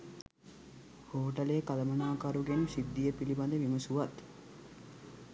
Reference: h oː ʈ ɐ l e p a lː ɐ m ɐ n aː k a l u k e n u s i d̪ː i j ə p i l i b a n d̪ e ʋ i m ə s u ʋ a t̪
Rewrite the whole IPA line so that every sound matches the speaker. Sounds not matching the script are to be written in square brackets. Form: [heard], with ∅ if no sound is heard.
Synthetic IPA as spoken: h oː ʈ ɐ l e [k] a [l] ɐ m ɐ n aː k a [ɾ] u [ɡ] e n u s i d̪ː i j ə p i l i b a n d̪ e ʋ i m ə s u ʋ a t̪